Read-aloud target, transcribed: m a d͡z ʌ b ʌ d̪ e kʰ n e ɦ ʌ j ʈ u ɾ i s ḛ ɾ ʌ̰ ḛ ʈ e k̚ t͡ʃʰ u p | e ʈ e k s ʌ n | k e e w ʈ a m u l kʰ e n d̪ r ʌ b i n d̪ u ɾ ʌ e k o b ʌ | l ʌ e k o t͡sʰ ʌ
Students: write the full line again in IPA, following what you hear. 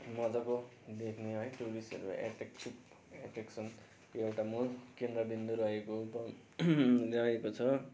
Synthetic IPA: m ʌ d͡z ʌ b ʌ d̪ e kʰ n e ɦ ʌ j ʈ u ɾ i s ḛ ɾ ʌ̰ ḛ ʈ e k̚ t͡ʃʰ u p | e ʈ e k s ʌ n | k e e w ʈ a m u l k e n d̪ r ʌ b i n d̪ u ɾ ʌ e k o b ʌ | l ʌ e k o t͡sʰ ʌ

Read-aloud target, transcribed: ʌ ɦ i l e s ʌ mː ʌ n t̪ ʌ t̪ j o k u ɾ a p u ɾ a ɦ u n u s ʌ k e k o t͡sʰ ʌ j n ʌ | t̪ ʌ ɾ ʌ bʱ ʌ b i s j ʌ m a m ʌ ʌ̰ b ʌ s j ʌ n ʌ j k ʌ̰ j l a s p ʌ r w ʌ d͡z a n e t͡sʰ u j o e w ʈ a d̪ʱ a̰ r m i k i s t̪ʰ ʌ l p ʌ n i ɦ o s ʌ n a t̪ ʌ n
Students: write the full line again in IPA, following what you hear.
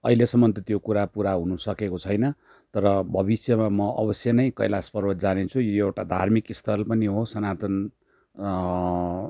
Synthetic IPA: ʌ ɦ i l e s ʌ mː ʌ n t̪ ʌ t̪ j o k u ɾ a p u ɾ a ɦ u n u s ʌ k e k o t͡sʰ ʌ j n ʌ | t̪ ʌ ɾ ʌ bʱ ʌ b i s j ʌ m a m ʌ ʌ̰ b ʌ s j ʌ n ʌ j k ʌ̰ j l a s p ʌ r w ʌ d͡z a n e t͡sʰ u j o e w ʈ a d̪ʱ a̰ r m i k i s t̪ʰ ʌ l p ʌ n i ɦ o s ʌ n a t̪ ʌ n

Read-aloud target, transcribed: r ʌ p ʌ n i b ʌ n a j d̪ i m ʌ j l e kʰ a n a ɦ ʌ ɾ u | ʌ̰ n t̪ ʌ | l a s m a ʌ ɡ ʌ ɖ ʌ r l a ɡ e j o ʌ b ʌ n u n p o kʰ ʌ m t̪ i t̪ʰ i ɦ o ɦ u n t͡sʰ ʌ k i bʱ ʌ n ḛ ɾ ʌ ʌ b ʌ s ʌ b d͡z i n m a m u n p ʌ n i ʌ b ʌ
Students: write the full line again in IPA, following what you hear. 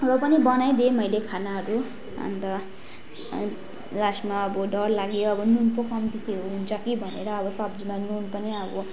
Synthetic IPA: r ʌ p ʌ n i b ʌ n a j d̪ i m ʌ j l e kʰ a n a ɦ ʌ ɾ u | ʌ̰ n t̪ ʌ | l a s m a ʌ b ʌ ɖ ʌ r l a ɡ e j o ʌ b ʌ n u n p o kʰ ʌ m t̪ i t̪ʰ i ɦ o ɦ u n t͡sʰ ʌ k i bʱ ʌ n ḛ ɾ ʌ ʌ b ʌ s ʌ b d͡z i m a n u n p ʌ n i ʌ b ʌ

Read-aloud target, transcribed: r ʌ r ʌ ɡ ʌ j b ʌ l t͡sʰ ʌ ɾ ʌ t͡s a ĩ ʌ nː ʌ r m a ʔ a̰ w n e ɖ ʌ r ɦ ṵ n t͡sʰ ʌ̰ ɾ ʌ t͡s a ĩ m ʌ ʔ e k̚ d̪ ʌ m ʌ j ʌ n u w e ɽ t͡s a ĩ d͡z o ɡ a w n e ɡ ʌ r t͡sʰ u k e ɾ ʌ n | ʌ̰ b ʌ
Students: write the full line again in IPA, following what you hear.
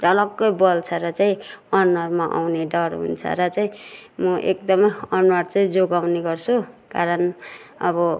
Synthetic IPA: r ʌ l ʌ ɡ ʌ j b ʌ l t͡sʰ ʌ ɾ ʌ t͡s a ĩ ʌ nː ʌ r m a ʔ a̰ w n e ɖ ʌ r ɦ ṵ n t͡sʰ ʌ̰ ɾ ʌ t͡s a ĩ m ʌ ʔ e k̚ d̪ ʌ m ʌ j ʌ n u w a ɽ t͡s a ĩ d͡z o ɡ a w n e ɡ ʌ r t͡sʰ u k a ɾ ʌ n | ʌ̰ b ʌ

